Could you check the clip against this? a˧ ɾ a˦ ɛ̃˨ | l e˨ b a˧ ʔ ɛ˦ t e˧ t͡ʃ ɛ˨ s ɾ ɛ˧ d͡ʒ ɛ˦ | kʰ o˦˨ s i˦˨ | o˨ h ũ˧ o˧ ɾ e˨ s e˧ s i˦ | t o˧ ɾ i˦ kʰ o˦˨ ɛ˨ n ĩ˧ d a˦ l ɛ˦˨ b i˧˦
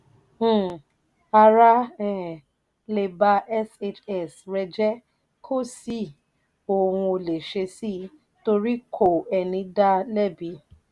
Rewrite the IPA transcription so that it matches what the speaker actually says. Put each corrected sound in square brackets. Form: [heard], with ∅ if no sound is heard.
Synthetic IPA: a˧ ɾ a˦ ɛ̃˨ | l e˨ b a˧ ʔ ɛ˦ [s] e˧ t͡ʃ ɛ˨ s ɾ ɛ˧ d͡ʒ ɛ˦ | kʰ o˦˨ s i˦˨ | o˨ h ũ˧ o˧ [l] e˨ [ʃ] e˧ s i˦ | t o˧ ɾ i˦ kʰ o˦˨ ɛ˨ n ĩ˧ d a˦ l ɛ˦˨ b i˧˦